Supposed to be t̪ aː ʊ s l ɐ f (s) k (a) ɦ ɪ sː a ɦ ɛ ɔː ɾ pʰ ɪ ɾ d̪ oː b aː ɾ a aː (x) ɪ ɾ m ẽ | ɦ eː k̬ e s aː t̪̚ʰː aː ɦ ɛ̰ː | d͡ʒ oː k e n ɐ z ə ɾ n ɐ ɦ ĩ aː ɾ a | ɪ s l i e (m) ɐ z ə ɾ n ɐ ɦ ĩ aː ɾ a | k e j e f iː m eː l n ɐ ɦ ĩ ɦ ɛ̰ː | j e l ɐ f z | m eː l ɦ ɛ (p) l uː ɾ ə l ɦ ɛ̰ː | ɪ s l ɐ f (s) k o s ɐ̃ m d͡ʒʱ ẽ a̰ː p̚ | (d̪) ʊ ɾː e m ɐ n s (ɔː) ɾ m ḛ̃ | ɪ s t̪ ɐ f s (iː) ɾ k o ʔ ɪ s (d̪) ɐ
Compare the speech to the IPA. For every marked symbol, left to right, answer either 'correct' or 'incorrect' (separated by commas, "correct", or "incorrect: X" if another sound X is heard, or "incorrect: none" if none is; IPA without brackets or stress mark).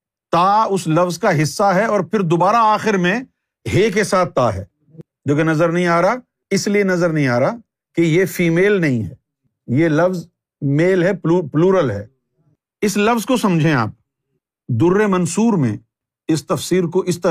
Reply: incorrect: z, correct, correct, incorrect: n, correct, incorrect: z, correct, incorrect: uː, correct, incorrect: t̪